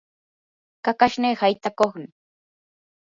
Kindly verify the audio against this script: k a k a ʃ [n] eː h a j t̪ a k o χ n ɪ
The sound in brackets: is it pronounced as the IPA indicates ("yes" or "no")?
yes